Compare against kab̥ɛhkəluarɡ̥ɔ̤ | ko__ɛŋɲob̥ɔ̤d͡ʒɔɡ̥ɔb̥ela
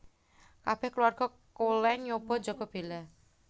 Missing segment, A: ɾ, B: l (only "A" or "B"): B